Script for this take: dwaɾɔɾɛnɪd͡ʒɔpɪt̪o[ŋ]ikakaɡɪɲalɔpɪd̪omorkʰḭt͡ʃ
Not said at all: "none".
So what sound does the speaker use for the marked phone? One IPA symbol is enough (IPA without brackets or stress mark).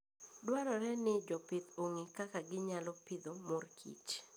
ŋ